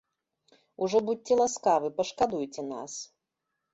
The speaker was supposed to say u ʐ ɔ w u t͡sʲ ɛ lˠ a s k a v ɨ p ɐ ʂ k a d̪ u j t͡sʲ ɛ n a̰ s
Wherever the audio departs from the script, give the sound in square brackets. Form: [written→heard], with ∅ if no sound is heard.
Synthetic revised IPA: u ʐ ɔ [w→b] u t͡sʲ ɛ lˠ a s k a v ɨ p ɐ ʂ k a d̪ u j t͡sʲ ɛ n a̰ s